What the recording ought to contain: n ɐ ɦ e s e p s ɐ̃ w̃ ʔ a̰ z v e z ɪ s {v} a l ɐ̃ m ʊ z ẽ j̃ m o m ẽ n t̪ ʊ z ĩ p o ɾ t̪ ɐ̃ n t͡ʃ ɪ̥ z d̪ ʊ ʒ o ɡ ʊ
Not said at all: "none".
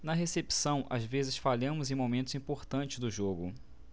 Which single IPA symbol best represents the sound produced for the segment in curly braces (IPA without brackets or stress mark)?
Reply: f